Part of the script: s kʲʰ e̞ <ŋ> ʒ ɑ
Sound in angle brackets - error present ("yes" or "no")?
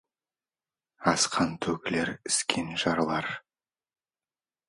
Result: yes